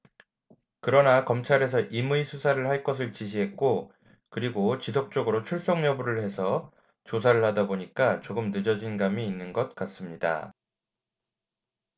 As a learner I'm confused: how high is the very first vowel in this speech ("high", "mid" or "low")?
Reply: high